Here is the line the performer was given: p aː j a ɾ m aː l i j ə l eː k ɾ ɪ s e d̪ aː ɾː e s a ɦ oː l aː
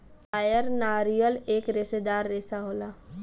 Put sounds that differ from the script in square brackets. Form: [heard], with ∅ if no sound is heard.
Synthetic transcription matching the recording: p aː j [ə] ɾ [n] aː [ɾ] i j ə l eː k ɾ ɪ s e d̪ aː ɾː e s a ɦ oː l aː